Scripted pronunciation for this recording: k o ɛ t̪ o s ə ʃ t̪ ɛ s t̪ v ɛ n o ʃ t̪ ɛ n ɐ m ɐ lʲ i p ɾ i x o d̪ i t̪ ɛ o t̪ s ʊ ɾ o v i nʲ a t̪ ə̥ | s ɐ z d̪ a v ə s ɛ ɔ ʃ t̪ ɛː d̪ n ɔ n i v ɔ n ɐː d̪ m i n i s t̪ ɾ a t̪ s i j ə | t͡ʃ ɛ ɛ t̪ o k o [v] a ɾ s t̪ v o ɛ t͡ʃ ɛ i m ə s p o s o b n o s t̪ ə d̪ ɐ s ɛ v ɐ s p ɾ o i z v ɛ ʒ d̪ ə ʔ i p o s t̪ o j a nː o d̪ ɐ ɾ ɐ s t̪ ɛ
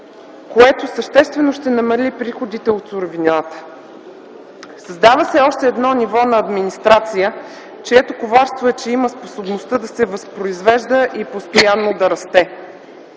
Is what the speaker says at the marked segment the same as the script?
yes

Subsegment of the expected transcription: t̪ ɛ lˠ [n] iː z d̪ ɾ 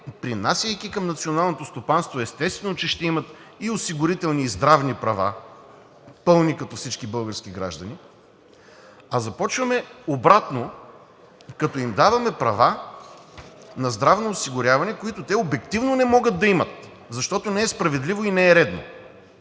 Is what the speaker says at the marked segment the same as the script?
yes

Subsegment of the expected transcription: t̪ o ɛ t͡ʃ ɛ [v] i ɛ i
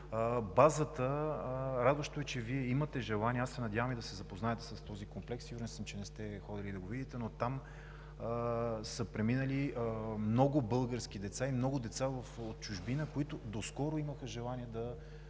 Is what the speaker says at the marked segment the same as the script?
yes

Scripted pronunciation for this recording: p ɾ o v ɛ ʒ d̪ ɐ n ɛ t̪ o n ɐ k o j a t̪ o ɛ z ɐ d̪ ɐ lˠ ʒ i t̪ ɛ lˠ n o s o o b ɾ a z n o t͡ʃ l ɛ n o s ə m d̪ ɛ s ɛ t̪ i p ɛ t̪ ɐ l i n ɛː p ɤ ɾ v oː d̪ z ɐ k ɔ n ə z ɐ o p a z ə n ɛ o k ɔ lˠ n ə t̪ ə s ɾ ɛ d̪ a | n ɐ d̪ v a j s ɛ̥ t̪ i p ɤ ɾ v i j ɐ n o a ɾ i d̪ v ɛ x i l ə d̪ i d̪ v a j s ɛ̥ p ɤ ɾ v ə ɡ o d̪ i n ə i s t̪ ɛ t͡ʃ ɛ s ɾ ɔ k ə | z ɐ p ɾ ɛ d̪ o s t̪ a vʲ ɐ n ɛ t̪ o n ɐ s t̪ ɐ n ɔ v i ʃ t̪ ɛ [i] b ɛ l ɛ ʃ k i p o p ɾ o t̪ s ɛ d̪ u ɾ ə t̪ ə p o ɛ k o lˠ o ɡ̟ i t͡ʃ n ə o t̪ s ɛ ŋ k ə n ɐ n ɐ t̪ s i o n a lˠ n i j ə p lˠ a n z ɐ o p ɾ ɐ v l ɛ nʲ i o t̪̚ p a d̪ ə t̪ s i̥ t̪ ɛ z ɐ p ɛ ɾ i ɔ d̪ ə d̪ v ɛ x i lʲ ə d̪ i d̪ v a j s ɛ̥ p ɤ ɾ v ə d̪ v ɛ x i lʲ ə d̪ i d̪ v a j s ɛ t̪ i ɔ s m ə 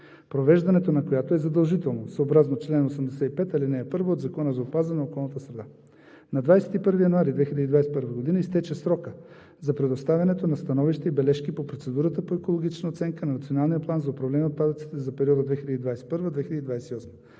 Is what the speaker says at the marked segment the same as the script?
yes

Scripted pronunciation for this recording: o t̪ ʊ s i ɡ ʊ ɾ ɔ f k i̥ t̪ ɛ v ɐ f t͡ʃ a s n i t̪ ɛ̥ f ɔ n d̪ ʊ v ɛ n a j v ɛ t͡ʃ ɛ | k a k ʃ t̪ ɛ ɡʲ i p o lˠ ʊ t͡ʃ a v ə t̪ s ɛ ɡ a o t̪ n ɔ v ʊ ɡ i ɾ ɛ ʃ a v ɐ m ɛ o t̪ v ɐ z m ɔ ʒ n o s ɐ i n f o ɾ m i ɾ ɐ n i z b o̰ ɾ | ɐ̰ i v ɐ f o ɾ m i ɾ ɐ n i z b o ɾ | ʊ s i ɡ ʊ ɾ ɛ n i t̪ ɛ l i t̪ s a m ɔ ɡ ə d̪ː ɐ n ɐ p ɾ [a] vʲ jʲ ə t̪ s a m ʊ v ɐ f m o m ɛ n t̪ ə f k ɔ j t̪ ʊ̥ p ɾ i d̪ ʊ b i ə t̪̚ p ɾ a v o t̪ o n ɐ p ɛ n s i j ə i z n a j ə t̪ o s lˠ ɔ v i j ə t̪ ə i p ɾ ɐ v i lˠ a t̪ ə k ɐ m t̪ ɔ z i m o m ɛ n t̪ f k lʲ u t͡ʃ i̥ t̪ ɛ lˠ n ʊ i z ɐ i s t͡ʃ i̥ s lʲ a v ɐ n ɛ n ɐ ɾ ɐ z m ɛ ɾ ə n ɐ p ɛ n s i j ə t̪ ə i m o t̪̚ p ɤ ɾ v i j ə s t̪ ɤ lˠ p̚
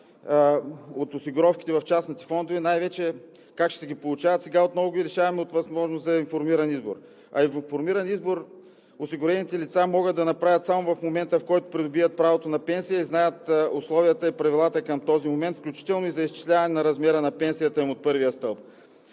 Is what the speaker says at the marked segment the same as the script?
yes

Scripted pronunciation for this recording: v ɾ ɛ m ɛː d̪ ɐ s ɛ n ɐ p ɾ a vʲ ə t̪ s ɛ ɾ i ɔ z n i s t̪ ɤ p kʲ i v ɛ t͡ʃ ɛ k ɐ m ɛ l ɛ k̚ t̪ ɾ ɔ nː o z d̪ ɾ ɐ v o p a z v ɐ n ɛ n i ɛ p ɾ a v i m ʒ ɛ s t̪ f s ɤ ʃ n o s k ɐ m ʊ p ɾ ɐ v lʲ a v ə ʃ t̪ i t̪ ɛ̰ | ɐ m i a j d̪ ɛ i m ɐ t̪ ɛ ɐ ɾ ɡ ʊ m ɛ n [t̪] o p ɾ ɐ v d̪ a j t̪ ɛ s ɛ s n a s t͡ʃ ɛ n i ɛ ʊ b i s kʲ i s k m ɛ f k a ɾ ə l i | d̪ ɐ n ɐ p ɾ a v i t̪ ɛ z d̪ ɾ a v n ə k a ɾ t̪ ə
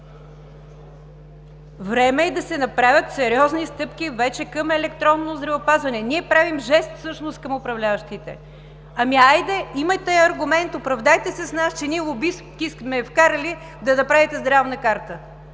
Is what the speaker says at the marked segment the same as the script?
yes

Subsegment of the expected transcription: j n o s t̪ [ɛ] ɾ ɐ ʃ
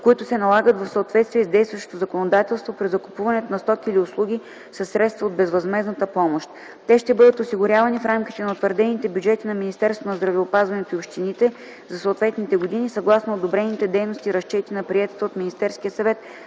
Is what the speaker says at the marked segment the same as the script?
no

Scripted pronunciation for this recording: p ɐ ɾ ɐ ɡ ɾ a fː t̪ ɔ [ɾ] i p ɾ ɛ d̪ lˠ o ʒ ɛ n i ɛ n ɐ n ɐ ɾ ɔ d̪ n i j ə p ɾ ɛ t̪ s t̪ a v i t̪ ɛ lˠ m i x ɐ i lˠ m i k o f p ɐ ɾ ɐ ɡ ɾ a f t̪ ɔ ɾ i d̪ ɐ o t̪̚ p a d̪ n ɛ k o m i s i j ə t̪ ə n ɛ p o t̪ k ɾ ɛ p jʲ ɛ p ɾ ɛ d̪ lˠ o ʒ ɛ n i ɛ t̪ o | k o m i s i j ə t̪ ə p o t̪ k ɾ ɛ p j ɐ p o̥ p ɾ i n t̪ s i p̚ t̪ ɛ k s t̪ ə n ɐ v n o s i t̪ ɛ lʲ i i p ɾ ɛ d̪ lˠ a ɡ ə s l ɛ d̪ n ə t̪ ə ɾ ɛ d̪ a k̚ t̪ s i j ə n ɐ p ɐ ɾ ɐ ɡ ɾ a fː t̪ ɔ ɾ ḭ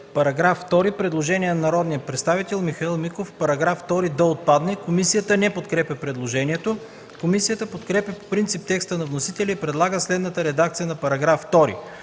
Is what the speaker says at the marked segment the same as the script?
yes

